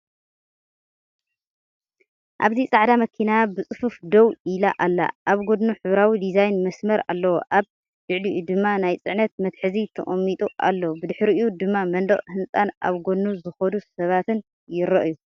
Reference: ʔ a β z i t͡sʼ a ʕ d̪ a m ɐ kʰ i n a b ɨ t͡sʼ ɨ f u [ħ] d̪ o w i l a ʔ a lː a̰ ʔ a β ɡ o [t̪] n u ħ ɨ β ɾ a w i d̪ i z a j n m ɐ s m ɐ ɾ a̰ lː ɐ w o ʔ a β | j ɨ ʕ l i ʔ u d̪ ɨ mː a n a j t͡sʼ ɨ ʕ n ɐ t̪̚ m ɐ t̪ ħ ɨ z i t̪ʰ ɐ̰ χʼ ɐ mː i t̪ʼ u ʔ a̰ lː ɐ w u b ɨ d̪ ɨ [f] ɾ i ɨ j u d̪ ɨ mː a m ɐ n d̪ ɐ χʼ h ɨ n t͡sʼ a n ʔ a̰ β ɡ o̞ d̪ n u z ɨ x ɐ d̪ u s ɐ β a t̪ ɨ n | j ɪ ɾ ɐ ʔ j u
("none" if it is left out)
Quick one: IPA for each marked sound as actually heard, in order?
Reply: f, d̪, ħ

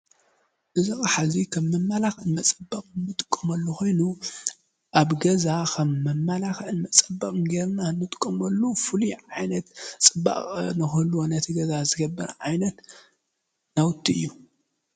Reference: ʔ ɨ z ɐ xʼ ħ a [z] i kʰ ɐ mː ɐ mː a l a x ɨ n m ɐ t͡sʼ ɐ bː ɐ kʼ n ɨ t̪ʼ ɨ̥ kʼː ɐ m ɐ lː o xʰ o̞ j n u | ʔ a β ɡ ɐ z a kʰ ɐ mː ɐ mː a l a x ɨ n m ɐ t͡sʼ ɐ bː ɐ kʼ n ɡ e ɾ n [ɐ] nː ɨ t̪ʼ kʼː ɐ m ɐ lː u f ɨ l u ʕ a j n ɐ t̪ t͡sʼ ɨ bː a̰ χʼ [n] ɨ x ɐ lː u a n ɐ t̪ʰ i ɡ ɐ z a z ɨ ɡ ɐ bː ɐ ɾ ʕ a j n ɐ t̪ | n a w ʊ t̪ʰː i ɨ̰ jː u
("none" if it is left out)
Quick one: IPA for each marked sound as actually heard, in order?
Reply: z, a, n

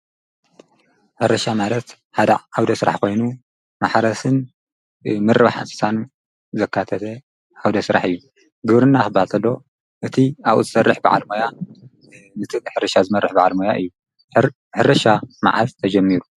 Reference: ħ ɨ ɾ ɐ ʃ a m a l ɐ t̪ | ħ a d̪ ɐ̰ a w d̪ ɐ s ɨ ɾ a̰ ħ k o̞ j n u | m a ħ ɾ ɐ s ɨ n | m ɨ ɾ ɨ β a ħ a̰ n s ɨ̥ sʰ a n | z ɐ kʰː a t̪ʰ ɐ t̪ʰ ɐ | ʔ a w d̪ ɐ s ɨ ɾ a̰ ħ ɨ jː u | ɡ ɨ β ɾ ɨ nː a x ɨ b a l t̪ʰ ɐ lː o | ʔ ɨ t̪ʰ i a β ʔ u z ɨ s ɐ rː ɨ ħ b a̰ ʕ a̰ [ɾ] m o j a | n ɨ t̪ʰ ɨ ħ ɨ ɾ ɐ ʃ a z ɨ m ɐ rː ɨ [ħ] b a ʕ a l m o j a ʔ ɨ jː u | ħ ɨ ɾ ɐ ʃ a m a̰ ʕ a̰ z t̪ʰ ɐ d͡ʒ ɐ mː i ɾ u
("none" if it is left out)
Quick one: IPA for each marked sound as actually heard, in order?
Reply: l, ħ

